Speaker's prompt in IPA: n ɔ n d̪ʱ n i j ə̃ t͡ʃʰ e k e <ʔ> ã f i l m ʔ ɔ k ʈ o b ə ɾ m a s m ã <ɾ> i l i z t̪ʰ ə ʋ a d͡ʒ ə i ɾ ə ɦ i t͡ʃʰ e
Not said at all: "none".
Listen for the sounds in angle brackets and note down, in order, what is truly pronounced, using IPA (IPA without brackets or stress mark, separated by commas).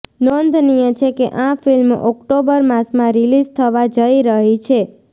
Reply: ʔ, ɾ